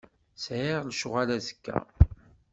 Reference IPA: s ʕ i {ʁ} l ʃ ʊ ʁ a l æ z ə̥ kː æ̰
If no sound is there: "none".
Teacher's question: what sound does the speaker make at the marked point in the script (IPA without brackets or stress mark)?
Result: ʁ